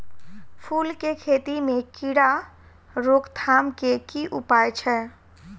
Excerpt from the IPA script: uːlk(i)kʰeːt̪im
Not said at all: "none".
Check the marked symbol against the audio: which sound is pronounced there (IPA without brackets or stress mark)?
e